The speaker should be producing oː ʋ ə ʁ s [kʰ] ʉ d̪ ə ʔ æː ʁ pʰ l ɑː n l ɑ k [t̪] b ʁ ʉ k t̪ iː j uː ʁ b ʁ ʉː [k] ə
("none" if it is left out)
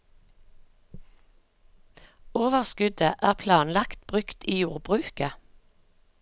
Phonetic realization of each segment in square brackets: k, t̪, k

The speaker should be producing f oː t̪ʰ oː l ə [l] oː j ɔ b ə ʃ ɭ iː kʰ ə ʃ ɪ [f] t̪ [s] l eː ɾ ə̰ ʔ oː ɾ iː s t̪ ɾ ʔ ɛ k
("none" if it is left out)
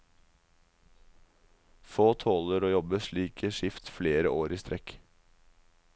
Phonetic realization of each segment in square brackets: ɾ, f, f

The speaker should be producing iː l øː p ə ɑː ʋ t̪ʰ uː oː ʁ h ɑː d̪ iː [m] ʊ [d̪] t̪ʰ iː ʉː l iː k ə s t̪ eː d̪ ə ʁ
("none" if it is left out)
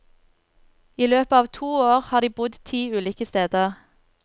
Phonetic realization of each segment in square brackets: b, d̪

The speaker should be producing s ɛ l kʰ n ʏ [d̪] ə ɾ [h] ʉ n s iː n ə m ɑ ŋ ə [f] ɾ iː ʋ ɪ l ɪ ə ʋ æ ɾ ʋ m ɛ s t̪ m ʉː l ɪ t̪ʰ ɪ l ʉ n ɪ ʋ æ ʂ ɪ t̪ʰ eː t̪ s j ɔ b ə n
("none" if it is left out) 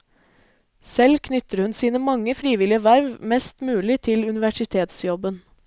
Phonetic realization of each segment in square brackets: t̪, h, f

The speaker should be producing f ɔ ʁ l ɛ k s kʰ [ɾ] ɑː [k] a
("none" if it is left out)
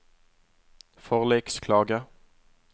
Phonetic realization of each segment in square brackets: l, ɡ

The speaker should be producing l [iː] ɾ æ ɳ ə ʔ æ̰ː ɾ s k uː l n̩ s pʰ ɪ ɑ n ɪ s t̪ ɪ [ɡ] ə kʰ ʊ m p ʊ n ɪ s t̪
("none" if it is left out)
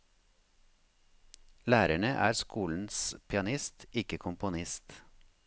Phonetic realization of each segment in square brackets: æː, k

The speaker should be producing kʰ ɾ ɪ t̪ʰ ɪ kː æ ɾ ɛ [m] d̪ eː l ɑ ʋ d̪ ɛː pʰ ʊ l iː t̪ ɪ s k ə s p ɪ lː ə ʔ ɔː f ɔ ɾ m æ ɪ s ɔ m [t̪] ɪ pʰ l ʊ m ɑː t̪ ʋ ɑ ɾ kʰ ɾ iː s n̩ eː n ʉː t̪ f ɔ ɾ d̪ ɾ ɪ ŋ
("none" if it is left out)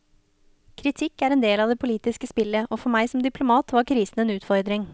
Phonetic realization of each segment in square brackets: n, d̪

